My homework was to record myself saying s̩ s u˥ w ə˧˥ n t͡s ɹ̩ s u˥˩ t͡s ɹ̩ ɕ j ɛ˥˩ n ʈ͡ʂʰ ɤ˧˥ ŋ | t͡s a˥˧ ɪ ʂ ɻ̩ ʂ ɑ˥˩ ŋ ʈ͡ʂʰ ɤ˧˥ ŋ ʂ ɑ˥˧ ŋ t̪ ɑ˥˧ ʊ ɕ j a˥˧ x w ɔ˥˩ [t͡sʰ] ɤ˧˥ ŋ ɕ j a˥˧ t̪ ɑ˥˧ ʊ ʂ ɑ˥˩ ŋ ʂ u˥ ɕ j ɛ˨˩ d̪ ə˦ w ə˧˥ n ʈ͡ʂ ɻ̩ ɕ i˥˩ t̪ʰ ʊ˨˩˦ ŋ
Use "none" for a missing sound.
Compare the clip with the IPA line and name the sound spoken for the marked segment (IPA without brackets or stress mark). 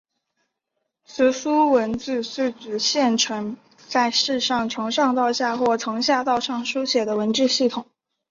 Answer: t͡sʰ